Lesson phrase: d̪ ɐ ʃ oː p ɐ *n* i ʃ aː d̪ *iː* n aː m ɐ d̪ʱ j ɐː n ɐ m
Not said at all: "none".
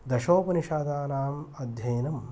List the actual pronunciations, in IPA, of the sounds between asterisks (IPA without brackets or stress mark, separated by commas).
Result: n, aː